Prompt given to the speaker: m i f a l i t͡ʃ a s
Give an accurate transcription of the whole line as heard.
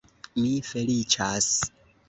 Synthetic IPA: m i f e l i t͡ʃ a s